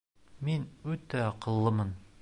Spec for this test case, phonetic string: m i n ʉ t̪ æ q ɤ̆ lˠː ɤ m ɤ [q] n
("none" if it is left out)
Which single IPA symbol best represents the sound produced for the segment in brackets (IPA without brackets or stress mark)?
none